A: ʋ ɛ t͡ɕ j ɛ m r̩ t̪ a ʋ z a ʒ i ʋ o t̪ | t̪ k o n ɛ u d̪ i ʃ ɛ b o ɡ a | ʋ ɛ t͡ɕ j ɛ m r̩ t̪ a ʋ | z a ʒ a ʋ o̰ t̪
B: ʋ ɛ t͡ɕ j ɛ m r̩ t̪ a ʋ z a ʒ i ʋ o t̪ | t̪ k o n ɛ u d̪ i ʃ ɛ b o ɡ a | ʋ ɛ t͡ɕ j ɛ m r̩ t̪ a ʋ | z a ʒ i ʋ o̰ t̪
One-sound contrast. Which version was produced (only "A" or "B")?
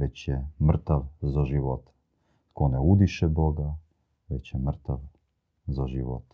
B